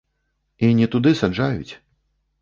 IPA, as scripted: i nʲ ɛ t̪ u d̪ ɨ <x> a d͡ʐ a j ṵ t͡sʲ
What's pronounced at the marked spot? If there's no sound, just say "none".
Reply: s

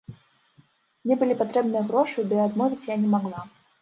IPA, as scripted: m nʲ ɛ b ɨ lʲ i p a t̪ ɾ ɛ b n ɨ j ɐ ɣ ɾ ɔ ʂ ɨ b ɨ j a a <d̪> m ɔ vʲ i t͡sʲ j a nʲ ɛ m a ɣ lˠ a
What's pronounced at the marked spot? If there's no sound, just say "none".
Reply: d̪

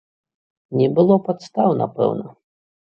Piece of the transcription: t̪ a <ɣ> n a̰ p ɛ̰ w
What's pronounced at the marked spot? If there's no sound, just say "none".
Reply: w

